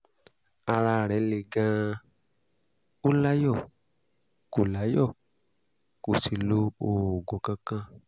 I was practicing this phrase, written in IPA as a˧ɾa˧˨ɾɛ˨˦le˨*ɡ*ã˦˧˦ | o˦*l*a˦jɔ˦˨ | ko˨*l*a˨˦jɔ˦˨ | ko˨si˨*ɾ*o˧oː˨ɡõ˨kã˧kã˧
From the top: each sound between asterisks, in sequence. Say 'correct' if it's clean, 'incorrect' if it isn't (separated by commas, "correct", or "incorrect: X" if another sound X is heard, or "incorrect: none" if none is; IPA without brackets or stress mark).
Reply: correct, correct, correct, incorrect: l